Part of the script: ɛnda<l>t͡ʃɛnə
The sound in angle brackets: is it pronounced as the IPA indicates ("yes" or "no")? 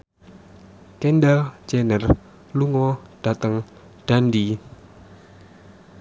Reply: yes